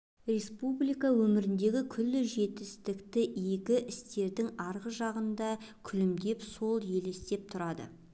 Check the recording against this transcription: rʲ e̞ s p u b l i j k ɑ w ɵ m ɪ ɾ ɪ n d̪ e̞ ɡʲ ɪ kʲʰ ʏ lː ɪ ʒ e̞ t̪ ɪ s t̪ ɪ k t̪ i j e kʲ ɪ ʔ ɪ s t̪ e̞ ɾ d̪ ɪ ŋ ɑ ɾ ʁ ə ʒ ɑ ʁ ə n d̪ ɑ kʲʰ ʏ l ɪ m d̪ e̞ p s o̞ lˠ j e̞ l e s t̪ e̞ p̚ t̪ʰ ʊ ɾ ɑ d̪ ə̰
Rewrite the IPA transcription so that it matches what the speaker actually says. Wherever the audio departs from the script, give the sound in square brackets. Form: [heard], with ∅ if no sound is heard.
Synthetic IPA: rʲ e̞ s p u b l i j k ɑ w ɵ m ɪ ɾ ɪ n d̪ e̞ ɡʲ ɪ kʲʰ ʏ lː ɪ ʒ e̞ t̪ ɪ s t̪ ɪ k t̪ [ɪ] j e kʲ ɪ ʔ ɪ s t̪ e̞ ɾ d̪ ɪ ŋ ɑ ɾ ʁ ə ʒ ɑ ʁ ə n d̪ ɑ kʲʰ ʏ l ɪ m d̪ e̞ p s o̞ lˠ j e̞ l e s t̪ e̞ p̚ t̪ʰ ʊ ɾ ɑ d̪ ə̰